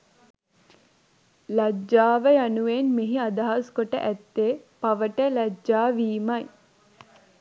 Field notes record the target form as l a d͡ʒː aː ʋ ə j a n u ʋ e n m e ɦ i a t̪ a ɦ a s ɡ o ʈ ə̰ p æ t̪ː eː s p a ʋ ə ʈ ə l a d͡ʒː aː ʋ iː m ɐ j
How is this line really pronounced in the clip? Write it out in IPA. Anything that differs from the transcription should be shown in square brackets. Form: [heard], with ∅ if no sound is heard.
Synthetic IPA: l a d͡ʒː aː ʋ ə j a n u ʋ e n m e ɦ i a [d̪] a ɦ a s [k] o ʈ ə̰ [ʔ] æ t̪ː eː [∅] p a ʋ ə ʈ ə l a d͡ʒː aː ʋ iː m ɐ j